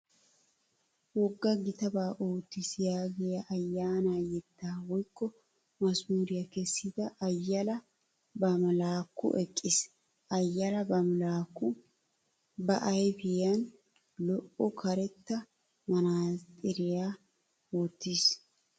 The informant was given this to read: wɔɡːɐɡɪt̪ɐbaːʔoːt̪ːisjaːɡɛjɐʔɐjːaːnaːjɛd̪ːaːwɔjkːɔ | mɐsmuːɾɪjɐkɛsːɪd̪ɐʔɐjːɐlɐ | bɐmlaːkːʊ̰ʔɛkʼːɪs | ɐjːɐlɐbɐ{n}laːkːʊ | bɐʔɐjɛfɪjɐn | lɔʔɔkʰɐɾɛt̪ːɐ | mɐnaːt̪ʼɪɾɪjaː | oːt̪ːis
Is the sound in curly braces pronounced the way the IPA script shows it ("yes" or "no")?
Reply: no